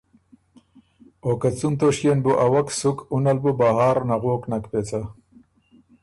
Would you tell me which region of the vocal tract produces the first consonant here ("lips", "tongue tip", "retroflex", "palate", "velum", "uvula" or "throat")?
velum